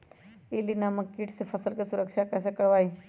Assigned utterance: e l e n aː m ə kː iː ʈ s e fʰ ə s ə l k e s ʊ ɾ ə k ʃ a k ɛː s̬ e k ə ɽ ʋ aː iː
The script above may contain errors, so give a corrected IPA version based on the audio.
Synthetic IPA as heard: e l i n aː m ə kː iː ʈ s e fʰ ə s ə l k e s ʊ ɾ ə k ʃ a k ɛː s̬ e k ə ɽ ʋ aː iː